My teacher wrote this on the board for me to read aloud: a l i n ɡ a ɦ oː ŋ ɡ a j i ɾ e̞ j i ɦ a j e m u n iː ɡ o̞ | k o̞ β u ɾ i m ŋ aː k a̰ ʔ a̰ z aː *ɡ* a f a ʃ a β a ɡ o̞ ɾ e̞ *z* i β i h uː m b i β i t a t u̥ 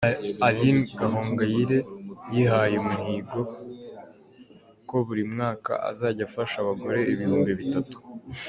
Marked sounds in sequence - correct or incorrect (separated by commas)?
incorrect, incorrect